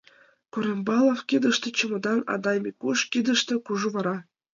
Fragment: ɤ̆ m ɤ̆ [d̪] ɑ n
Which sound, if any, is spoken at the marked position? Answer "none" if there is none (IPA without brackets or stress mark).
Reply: d̪